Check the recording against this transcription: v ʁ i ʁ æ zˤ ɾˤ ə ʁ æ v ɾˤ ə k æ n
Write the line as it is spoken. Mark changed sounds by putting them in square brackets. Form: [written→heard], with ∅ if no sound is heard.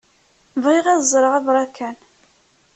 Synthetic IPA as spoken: v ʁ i ʁ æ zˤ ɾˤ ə ʁ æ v ɾˤ [ə→ɑ] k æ n